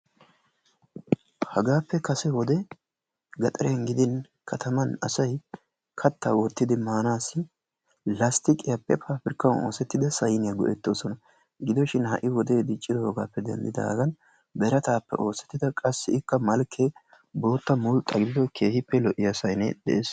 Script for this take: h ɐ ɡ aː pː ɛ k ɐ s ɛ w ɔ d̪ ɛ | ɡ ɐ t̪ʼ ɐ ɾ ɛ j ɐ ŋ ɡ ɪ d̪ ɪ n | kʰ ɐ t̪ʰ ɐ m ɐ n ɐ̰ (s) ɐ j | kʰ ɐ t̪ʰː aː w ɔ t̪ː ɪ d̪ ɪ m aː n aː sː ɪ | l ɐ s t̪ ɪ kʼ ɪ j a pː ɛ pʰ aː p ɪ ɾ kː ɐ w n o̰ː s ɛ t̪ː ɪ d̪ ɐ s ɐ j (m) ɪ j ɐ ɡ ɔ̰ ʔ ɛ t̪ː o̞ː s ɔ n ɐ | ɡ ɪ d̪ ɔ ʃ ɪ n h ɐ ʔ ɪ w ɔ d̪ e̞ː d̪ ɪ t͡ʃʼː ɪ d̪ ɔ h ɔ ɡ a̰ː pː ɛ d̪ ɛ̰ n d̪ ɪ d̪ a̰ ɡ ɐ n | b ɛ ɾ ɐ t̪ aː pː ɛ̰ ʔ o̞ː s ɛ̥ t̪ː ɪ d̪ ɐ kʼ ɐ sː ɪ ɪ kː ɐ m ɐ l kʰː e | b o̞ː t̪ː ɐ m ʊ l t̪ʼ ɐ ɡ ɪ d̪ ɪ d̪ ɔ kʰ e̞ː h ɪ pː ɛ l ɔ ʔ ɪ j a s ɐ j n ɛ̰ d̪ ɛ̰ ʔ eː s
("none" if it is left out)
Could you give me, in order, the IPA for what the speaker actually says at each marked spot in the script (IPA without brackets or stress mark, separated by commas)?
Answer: s, n